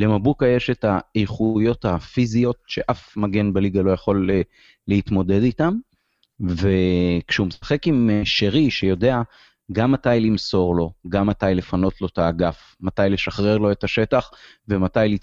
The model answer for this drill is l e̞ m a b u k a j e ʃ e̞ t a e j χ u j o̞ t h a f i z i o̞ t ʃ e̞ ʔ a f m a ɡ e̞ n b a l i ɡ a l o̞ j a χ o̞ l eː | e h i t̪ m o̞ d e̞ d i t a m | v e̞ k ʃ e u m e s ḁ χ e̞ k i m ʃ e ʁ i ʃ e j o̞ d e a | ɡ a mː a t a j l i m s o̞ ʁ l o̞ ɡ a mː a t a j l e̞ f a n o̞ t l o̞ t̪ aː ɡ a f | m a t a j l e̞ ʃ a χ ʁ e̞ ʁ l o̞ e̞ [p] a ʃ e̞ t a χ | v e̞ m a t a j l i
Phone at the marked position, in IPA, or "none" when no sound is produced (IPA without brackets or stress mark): t